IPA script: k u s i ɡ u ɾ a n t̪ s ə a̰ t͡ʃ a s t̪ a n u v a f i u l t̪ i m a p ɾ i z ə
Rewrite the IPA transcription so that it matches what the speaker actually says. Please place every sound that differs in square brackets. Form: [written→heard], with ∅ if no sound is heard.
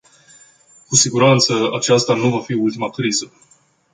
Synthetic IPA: k u s i ɡ u ɾ a n t̪ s ə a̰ t͡ʃ a s t̪ a n u v a f i u l t̪ i m a [p→k] ɾ i z ə